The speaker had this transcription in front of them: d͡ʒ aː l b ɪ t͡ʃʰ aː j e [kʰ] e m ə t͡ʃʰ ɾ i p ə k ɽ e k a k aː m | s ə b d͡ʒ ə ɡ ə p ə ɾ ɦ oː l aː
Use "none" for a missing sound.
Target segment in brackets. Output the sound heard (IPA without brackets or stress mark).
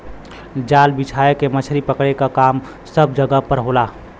k